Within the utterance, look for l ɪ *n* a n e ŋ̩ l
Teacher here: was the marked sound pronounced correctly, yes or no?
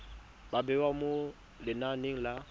yes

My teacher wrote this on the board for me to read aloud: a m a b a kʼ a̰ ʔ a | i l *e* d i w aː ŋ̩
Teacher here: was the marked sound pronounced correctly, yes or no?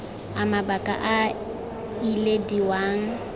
yes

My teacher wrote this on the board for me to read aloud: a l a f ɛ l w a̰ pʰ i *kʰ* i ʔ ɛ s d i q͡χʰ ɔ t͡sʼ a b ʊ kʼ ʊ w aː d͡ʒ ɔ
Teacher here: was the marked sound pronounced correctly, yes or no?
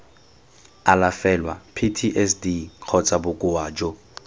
no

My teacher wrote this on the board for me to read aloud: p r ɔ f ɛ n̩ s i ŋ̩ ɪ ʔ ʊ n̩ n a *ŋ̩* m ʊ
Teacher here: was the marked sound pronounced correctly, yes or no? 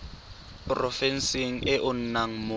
yes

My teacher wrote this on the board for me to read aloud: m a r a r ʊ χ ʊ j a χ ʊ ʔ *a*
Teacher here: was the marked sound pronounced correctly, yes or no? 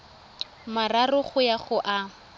yes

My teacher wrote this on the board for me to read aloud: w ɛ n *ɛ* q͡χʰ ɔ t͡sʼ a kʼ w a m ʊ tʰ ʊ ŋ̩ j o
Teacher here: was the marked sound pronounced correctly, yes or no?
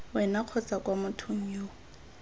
no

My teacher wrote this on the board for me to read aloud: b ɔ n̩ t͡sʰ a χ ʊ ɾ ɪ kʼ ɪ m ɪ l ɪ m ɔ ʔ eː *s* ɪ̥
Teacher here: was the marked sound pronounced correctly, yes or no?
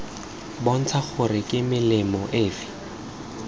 no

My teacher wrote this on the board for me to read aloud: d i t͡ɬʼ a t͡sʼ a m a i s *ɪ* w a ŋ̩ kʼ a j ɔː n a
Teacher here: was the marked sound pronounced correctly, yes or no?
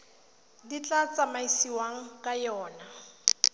no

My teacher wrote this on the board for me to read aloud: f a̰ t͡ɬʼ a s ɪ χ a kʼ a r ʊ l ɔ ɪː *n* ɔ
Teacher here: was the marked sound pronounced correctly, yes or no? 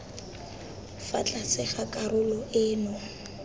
yes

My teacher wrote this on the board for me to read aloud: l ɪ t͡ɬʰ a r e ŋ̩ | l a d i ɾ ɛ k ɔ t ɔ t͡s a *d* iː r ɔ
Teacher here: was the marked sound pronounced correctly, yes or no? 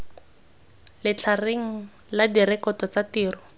no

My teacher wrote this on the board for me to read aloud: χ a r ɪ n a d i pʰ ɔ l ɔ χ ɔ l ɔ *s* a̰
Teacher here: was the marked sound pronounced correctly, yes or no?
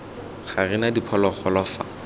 no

